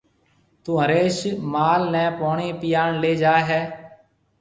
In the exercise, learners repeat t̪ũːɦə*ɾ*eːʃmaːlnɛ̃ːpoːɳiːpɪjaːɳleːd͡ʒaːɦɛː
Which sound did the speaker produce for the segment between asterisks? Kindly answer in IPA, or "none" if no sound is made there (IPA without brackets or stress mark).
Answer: ɾ